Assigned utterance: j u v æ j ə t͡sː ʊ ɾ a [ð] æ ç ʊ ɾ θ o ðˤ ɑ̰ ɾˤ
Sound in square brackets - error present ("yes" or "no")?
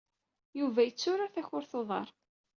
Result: yes